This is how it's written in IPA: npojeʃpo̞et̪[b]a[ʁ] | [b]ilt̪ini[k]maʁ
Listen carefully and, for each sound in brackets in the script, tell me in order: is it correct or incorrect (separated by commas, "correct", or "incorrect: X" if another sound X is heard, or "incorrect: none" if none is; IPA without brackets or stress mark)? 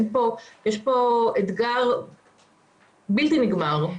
incorrect: ɡ, correct, correct, incorrect: ɡ